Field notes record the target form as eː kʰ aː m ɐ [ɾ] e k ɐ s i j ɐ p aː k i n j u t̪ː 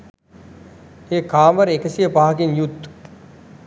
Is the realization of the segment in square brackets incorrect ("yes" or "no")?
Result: no